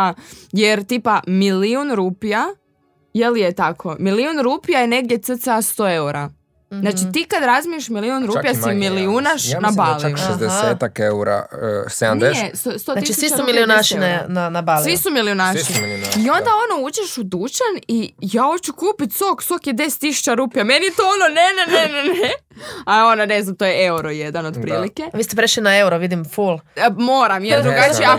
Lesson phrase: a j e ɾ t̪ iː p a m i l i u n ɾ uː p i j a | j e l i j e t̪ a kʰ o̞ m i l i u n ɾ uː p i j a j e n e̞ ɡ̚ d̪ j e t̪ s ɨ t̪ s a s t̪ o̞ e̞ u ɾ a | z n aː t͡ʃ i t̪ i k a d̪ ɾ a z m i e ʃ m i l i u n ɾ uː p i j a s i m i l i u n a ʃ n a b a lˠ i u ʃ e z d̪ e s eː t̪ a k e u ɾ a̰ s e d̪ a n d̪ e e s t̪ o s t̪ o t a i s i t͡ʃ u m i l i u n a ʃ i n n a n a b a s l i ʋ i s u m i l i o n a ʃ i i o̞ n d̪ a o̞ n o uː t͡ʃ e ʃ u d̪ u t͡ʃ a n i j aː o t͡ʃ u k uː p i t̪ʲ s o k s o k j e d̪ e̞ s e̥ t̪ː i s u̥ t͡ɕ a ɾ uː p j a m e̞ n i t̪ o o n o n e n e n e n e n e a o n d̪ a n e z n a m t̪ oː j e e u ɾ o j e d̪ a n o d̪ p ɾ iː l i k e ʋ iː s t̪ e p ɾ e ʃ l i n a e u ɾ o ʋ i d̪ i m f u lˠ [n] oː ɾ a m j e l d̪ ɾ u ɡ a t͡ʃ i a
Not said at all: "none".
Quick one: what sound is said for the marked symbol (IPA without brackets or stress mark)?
m